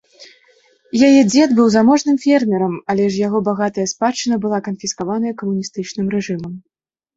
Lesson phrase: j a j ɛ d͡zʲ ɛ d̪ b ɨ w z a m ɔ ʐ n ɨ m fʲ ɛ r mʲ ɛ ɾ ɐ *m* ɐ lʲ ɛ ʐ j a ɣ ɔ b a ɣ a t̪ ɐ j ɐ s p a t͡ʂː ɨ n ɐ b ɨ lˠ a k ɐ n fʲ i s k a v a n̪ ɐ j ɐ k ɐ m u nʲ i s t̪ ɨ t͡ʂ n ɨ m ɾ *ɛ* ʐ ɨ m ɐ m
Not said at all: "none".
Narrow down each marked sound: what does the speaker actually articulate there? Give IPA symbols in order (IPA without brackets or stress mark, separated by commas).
m, ɛ